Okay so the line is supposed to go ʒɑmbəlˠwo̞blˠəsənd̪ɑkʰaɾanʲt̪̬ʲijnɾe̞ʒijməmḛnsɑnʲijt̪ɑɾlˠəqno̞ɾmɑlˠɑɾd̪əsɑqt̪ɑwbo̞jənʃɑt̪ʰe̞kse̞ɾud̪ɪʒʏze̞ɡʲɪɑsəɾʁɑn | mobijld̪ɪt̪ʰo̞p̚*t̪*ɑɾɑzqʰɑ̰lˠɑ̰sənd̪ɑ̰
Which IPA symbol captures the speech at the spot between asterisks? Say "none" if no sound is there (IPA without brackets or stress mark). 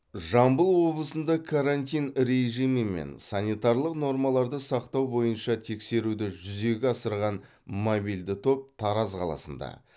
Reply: t̪ʰ